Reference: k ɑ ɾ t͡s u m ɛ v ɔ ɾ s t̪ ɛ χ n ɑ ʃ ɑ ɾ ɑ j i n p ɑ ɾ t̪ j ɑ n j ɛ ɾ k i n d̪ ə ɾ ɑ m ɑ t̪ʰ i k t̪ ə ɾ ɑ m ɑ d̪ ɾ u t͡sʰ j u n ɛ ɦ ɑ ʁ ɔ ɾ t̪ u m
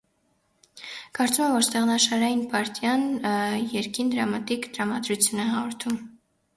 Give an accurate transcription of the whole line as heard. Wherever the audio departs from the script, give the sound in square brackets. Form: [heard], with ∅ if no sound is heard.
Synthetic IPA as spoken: k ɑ ɾ t͡s u m ɛ v ɔ ɾ s t̪ ɛ [ʁ] n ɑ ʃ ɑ ɾ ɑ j i n p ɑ ɾ t̪ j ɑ n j ɛ ɾ k i n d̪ ə ɾ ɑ m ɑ [t̪] i k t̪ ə ɾ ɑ m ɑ d̪ ɾ u t͡sʰ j u n ɛ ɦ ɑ ʁ ɔ ɾ [t̪ʰ] u m